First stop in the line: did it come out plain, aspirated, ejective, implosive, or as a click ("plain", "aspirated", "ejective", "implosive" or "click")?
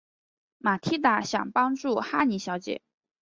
aspirated